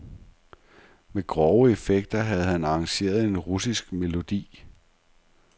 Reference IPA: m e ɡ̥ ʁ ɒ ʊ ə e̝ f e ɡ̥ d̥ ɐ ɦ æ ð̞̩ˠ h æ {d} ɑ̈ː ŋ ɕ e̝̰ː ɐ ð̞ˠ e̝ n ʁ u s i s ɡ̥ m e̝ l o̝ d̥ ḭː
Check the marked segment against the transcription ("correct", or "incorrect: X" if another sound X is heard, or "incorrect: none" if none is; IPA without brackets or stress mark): incorrect: n